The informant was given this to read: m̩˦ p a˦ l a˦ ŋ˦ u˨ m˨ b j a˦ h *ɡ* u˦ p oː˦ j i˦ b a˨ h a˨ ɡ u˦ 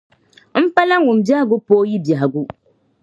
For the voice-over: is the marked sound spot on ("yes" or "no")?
yes